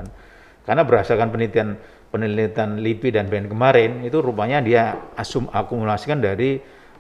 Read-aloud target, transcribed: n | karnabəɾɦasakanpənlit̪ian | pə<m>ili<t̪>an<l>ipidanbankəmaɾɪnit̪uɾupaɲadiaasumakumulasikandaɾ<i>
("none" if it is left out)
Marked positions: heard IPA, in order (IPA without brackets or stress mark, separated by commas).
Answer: n, t̪, l, i